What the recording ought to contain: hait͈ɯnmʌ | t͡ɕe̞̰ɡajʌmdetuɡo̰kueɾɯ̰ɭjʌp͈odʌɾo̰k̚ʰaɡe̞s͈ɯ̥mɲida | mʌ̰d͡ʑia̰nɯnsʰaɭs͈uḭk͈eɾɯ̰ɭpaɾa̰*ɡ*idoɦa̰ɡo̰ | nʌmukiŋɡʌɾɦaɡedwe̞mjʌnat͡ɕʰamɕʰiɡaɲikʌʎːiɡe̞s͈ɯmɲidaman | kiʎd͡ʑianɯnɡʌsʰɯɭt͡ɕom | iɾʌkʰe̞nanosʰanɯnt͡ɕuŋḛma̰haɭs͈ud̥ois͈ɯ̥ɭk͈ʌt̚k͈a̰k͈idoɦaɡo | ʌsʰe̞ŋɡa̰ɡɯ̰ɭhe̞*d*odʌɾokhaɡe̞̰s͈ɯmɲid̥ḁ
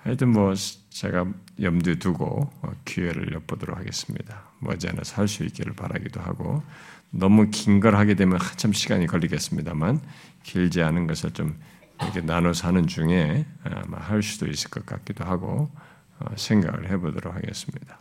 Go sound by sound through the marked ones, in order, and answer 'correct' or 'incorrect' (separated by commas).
correct, incorrect